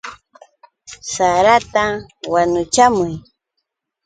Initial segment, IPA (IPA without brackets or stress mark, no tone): s